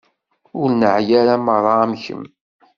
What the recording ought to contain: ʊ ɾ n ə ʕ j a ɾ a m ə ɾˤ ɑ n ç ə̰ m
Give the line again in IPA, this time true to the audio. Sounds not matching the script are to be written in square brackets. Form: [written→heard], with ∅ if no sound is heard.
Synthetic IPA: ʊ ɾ n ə ʕ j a ɾ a m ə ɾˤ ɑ [n→m] ç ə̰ m